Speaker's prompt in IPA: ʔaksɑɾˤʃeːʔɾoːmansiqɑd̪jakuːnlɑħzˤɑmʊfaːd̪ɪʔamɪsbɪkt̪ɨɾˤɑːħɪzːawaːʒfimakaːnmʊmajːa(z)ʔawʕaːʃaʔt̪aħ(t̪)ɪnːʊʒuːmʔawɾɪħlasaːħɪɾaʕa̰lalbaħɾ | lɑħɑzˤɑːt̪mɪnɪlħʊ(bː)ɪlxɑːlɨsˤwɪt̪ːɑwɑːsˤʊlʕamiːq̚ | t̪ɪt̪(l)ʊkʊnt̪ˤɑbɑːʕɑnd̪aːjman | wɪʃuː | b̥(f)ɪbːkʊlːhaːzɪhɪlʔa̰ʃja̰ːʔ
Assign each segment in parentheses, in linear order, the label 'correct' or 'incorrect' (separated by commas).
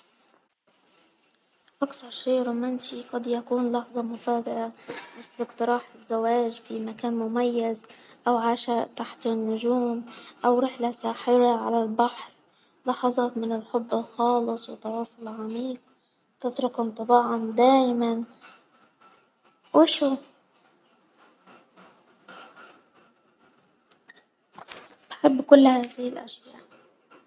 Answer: correct, correct, correct, incorrect, incorrect